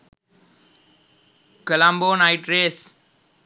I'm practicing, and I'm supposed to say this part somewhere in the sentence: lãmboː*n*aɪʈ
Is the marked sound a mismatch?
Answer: no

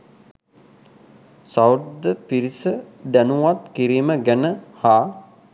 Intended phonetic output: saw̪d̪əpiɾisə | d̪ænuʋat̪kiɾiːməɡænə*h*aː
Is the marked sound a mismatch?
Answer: no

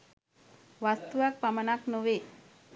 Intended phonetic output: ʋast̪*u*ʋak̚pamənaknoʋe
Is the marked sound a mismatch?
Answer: no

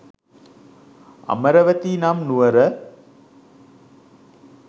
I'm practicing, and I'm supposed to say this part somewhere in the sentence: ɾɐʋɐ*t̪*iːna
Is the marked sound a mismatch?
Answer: no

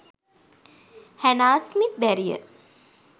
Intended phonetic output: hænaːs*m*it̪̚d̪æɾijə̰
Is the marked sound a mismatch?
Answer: no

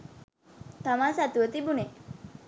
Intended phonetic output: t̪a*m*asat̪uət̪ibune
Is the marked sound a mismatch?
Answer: no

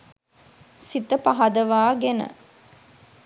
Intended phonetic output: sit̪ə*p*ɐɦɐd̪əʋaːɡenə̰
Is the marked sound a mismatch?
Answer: no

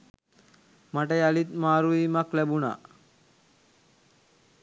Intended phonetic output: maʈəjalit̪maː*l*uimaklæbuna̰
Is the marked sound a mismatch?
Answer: yes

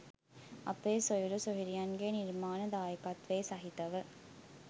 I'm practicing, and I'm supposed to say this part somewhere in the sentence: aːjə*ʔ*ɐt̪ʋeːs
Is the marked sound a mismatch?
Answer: yes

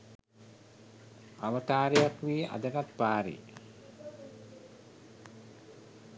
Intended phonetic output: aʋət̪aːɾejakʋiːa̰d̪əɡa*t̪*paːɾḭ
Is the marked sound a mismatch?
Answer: no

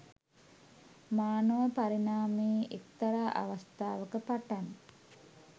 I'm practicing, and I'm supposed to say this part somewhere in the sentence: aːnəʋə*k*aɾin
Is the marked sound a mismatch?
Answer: yes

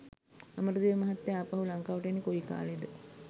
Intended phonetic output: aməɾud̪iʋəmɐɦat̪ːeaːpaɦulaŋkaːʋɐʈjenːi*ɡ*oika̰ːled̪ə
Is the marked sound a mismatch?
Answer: yes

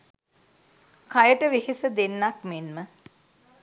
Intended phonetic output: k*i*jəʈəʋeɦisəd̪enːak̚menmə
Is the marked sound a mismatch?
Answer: yes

